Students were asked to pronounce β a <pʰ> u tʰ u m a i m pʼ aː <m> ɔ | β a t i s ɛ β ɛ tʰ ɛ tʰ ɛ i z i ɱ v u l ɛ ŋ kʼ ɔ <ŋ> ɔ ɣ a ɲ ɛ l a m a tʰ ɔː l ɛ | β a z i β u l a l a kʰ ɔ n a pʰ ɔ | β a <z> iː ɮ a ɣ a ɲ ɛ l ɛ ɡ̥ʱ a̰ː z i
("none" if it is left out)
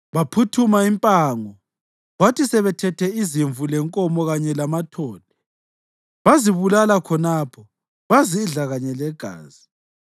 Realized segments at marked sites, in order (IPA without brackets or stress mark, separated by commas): pʰ, ŋ, m, z